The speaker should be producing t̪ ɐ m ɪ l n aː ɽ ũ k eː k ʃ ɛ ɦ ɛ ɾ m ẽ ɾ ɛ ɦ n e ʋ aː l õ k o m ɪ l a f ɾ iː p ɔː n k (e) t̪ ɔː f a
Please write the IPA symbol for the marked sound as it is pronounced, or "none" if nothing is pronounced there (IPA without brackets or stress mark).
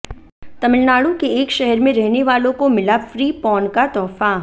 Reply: a